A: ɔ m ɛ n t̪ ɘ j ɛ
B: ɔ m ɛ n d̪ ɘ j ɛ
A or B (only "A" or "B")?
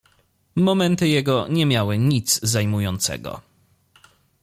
A